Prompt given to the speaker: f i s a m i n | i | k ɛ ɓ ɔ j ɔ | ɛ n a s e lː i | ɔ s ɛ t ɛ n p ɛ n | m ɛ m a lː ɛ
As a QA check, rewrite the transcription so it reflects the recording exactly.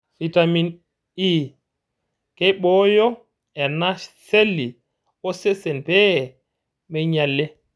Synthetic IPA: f i t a m i n | i | k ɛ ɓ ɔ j ɔ | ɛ n a s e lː i | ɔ s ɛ s ɛ n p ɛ | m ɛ ɲ a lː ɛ